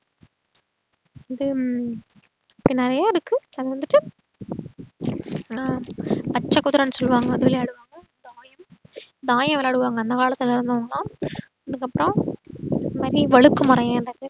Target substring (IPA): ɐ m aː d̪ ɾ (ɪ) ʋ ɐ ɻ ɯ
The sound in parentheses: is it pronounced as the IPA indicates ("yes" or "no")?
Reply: no